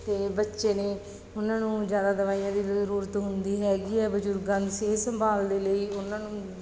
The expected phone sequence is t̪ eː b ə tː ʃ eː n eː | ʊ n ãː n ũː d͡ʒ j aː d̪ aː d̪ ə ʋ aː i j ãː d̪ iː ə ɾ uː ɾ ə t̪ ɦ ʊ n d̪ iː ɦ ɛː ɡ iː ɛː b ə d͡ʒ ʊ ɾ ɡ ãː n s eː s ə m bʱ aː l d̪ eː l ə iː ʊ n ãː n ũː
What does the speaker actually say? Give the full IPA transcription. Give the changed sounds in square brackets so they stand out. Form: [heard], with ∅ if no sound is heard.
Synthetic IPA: t̪ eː b ə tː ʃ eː n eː | ʊ n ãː n ũː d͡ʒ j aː d̪ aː d̪ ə ʋ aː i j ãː d̪ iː ə ɾ uː ɾ ə t̪ ɦ ʊ n d̪ iː ɦ ɛː ɡ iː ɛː b ə d͡ʒ ʊ ɾ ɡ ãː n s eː s ə m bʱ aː l d̪ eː l ə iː ʊ n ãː n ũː